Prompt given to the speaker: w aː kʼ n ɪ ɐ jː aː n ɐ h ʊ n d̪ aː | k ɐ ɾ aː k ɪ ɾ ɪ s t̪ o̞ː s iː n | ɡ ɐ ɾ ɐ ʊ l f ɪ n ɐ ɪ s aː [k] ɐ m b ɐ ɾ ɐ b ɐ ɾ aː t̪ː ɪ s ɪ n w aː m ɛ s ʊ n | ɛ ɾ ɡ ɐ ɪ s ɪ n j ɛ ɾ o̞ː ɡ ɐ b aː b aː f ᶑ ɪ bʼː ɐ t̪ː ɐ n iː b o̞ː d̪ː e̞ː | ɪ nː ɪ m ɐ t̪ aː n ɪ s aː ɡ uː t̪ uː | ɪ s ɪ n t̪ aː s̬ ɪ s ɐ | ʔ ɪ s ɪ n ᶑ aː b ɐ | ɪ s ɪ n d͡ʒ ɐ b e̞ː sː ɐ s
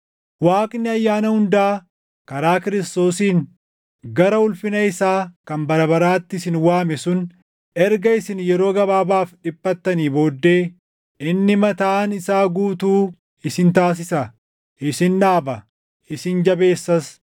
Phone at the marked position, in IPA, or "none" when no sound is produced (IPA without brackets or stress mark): k